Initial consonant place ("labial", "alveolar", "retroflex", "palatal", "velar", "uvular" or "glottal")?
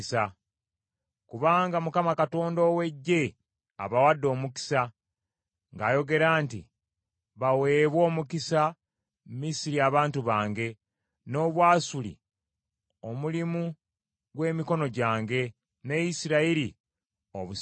alveolar